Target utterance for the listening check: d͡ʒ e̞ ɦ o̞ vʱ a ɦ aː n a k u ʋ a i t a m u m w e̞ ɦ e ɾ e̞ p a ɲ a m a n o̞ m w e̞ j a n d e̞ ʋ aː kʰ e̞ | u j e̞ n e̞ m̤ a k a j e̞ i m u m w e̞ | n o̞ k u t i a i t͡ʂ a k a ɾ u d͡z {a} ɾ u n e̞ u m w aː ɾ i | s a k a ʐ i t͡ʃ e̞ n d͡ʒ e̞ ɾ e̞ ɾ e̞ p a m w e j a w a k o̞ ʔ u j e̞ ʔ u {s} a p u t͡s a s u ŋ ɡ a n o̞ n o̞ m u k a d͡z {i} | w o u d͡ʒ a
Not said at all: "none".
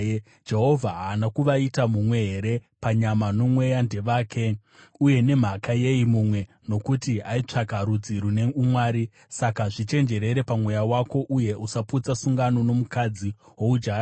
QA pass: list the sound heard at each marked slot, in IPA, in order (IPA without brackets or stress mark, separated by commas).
i, s, i